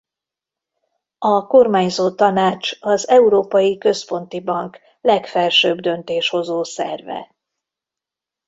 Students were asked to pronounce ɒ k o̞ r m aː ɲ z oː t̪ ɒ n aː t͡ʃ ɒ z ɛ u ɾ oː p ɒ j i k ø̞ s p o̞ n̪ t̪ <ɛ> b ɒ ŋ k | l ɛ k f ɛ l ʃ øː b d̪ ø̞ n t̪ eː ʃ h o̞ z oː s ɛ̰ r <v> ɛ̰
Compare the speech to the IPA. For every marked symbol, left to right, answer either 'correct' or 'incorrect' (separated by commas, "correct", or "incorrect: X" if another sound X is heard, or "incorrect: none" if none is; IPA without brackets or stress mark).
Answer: incorrect: i, correct